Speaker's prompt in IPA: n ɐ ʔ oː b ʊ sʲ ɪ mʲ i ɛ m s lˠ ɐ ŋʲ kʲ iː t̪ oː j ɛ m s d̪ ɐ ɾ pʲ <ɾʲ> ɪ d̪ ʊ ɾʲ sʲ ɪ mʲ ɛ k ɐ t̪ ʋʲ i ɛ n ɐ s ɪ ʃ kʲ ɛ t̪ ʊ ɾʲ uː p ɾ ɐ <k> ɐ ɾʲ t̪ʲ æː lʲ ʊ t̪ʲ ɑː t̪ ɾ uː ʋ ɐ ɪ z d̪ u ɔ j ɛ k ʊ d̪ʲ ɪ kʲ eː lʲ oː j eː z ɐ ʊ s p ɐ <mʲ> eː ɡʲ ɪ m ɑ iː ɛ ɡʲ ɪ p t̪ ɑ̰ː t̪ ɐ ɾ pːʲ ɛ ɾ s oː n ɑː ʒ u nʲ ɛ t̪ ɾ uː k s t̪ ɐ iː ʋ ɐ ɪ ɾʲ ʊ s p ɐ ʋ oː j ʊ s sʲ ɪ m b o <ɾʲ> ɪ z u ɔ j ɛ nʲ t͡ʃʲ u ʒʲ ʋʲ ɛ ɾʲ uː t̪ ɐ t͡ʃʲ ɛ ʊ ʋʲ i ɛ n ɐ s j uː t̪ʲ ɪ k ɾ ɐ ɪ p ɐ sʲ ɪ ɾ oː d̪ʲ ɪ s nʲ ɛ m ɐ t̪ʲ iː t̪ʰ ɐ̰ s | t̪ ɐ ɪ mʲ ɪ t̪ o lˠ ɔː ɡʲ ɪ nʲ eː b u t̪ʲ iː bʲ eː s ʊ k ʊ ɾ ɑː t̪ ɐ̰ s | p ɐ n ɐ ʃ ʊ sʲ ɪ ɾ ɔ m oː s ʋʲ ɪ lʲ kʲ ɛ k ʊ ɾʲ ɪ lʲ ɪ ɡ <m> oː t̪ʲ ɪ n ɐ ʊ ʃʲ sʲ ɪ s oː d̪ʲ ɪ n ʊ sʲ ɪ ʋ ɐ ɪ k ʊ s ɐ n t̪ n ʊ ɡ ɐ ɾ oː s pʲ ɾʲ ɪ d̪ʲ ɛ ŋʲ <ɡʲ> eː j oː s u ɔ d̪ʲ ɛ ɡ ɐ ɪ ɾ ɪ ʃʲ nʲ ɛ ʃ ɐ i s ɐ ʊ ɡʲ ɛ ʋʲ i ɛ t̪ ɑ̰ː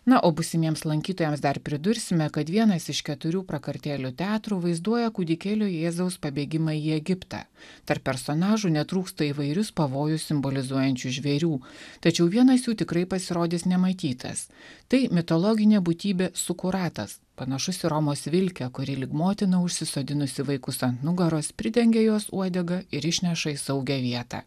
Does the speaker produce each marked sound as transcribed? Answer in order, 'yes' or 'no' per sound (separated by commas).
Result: yes, yes, no, no, yes, yes